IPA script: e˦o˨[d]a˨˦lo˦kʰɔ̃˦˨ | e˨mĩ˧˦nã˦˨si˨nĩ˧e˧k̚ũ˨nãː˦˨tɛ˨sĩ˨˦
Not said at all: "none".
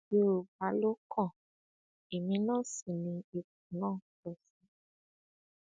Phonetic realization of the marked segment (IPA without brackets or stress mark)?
b